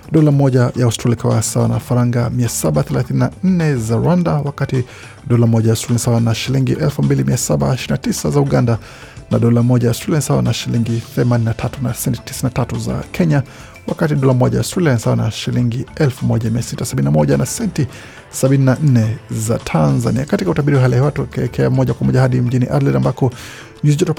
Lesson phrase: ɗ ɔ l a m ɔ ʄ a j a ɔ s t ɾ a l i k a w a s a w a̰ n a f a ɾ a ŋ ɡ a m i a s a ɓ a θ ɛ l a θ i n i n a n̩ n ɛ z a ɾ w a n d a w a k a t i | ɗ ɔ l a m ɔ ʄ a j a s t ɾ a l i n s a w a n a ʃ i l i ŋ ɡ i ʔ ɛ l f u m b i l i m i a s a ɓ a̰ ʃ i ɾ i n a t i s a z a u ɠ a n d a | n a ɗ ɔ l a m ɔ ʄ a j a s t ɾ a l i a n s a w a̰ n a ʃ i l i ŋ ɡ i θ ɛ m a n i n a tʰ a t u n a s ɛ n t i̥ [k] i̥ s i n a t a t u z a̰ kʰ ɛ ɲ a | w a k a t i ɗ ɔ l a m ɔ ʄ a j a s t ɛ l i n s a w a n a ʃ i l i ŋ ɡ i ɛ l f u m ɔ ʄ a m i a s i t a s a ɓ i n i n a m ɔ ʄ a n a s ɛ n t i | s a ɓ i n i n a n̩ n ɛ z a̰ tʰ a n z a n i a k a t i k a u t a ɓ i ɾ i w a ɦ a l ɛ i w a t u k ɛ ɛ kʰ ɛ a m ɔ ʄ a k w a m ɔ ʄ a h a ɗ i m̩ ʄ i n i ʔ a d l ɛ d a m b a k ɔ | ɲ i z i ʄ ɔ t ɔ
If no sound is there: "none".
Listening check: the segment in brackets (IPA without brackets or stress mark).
t